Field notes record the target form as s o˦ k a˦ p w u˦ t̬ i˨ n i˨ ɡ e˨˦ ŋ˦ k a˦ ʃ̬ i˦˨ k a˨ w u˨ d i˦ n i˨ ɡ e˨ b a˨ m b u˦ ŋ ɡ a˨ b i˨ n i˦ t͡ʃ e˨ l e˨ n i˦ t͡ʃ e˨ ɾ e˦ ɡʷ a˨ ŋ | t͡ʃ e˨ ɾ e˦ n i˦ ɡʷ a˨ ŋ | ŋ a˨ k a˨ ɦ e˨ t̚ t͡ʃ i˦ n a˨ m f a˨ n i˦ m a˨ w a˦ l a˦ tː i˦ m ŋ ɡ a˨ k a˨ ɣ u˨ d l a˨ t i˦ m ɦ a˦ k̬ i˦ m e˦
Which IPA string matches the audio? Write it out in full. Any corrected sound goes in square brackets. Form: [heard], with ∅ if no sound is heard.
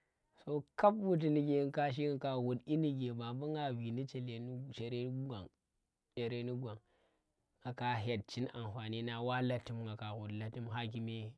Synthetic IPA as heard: s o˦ k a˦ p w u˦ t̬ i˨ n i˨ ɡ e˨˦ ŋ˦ k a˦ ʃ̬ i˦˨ k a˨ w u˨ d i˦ n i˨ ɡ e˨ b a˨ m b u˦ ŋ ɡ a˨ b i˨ n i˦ t͡ʃ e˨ l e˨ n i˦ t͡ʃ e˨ ɾ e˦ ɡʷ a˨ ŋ | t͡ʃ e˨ ɾ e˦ n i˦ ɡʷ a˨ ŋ | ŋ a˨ k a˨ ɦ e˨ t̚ t͡ʃ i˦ n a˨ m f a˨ n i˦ [n] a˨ w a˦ l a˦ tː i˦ m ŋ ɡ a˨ k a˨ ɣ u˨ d l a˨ t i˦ m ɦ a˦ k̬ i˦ m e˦